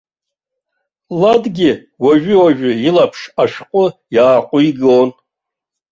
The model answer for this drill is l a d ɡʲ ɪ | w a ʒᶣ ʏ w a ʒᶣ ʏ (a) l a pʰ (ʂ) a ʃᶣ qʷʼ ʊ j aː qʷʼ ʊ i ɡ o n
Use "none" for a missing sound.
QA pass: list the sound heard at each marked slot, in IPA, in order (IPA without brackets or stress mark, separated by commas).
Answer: i, ʂ